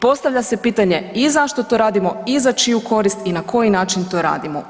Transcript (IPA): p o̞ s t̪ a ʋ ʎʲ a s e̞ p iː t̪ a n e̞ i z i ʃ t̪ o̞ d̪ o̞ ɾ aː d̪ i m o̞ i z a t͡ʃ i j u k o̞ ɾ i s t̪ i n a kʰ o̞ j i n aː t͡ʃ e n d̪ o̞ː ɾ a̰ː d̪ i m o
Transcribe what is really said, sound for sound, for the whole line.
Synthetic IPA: p o̞ s t̪ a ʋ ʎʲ a s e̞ p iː t̪ a ɲ e̞ i z a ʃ t̪ o̞ t̪ o̞ ɾ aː d̪ i m o̞ i z a t͡ʃ i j u k o̞ ɾ i s t̪ i n a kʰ o̞ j i n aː t͡ʃ i n t̪ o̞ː ɾ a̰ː d̪ i m o